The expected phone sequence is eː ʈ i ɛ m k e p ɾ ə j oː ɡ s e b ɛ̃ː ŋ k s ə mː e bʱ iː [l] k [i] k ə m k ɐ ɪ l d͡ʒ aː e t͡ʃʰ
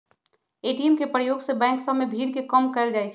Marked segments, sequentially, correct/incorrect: incorrect, incorrect

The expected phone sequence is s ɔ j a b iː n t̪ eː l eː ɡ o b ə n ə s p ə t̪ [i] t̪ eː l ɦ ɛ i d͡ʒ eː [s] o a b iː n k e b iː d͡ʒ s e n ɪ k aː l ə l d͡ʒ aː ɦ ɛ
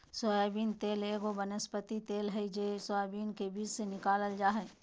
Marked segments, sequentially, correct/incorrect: correct, correct

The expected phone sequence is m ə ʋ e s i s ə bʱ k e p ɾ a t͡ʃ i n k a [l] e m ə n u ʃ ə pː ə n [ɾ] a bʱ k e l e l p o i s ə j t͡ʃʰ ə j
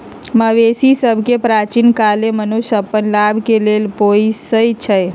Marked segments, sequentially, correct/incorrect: correct, incorrect

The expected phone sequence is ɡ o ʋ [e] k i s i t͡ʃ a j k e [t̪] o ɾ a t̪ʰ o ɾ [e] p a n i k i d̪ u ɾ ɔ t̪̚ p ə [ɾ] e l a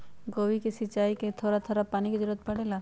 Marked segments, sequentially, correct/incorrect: incorrect, incorrect, incorrect, incorrect

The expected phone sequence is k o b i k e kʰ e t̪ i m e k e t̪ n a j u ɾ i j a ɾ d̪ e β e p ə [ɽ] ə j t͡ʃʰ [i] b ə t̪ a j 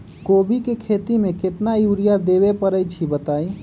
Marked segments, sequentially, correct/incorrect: incorrect, correct

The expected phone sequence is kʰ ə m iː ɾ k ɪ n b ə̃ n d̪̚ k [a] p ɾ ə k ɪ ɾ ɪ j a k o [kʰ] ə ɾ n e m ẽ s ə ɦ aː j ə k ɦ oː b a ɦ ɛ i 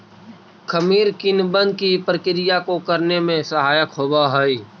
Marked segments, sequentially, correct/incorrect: incorrect, incorrect

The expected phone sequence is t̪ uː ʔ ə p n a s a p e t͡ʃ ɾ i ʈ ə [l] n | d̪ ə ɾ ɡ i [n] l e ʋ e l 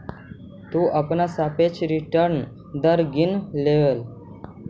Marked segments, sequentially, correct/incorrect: incorrect, correct

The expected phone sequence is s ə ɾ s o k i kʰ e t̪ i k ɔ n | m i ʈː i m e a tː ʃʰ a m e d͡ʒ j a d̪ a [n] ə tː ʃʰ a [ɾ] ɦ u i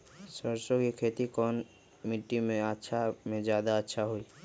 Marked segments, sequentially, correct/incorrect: incorrect, incorrect

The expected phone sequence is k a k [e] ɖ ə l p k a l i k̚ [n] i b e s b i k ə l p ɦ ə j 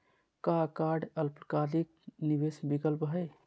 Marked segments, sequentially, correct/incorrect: incorrect, correct

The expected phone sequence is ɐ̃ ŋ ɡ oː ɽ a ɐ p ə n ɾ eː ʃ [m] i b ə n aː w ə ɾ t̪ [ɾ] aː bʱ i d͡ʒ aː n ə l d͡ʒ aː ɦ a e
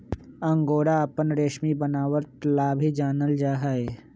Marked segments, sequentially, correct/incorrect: correct, incorrect

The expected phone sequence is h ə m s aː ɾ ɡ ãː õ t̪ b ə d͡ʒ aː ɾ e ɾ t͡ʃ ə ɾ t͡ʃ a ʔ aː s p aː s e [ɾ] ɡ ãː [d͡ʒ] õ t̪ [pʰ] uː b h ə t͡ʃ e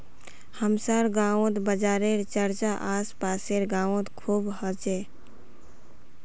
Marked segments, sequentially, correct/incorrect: correct, incorrect, incorrect

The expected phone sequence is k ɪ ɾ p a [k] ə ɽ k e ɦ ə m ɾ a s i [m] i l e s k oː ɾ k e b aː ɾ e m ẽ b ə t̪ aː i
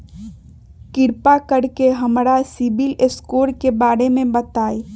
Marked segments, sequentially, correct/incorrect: correct, incorrect

